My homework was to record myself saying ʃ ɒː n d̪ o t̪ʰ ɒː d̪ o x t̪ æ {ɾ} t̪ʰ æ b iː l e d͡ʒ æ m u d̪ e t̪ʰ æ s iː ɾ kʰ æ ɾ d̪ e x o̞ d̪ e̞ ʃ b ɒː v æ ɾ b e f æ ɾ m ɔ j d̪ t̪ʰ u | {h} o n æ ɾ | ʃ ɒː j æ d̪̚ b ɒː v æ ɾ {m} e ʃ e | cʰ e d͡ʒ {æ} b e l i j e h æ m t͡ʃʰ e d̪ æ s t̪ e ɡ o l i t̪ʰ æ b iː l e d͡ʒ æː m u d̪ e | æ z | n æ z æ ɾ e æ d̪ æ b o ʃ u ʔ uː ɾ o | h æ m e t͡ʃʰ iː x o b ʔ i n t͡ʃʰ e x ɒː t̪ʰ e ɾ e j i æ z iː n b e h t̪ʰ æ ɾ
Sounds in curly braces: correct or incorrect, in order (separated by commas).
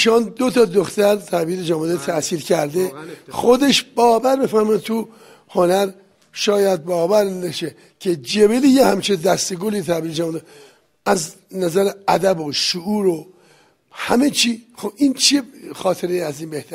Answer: correct, correct, incorrect, incorrect